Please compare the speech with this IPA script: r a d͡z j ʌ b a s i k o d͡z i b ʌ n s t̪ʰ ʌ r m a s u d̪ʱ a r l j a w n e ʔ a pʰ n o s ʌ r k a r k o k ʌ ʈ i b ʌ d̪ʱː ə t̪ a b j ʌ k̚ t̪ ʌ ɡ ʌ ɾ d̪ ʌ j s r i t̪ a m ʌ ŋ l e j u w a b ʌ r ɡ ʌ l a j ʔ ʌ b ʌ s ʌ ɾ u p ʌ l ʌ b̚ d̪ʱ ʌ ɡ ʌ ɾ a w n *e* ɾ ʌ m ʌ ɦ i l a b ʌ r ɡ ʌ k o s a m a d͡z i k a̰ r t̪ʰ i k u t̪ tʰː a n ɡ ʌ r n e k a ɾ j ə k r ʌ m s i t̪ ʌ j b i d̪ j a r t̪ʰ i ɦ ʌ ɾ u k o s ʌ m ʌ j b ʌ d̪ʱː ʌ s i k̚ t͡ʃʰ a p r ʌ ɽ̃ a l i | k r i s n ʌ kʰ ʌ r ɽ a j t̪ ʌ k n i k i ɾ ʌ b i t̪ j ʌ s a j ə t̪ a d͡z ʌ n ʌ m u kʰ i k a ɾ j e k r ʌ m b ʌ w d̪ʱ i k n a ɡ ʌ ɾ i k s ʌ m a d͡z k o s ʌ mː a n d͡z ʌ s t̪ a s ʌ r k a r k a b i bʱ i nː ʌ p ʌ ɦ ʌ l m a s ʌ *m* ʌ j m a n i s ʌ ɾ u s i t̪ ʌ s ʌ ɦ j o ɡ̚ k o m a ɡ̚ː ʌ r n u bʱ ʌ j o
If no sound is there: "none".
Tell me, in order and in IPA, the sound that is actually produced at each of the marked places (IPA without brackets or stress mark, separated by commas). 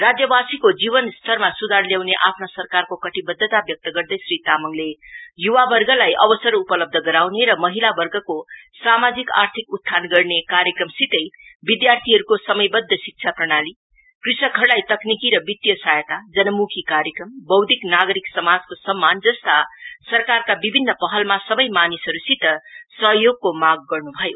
e, b